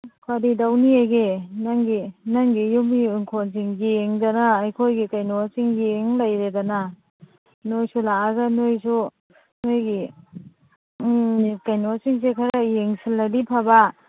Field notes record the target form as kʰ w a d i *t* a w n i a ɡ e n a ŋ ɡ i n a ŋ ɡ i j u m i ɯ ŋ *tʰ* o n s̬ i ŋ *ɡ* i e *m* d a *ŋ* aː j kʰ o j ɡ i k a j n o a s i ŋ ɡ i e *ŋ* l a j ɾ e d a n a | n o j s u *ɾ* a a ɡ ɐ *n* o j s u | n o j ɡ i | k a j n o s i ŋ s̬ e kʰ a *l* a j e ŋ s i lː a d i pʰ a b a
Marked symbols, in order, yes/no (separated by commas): no, no, yes, no, no, yes, no, yes, no